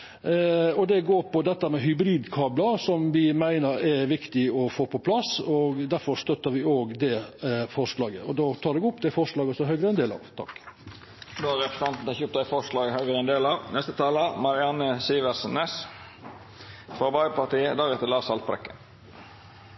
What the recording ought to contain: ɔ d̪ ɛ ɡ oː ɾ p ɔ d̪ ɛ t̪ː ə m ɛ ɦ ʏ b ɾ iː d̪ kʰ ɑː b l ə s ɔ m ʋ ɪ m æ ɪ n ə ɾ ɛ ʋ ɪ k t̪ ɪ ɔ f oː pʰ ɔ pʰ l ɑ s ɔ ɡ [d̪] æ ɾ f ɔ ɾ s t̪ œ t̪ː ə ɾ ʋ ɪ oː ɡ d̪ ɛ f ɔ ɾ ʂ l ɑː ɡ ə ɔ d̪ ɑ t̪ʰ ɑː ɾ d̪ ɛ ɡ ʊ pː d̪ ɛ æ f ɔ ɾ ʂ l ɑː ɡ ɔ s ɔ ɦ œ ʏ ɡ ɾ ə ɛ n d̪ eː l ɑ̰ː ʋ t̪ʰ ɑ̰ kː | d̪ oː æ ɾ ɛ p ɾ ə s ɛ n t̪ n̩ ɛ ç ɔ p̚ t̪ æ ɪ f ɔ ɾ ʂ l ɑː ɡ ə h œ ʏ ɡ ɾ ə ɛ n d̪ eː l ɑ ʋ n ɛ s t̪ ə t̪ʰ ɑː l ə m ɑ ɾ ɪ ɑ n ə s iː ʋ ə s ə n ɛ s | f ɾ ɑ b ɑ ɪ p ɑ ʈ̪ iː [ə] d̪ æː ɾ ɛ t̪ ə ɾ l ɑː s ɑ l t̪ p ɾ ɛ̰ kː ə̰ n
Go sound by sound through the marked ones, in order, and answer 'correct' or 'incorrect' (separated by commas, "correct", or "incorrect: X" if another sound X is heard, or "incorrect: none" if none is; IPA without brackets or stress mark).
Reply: correct, correct